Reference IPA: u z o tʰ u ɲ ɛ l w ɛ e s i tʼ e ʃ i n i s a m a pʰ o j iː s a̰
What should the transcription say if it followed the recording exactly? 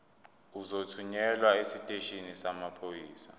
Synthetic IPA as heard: u z o tʰ u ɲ ɛ l w a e s i tʼ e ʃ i n i s a m a pʰ o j iː s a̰